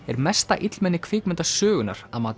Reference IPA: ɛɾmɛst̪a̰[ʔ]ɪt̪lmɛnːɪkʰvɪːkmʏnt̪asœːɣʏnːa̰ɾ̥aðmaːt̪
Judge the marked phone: correct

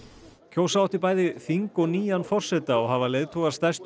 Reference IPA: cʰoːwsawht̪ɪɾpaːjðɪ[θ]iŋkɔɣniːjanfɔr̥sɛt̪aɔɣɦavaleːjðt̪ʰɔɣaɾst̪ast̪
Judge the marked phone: correct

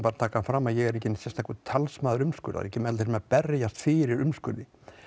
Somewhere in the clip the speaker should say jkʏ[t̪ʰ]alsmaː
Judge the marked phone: correct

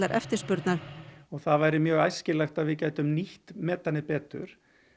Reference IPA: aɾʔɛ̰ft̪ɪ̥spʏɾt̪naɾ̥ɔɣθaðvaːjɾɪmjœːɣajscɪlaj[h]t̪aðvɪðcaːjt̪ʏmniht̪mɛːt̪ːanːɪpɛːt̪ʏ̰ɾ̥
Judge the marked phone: incorrect: x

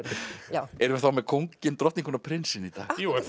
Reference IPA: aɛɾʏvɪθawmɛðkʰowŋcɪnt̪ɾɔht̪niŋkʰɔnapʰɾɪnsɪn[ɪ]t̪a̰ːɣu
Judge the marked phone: incorrect: i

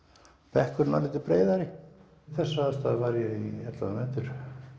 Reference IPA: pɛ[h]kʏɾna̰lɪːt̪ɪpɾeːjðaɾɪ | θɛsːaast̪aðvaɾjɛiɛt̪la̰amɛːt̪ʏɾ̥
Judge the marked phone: correct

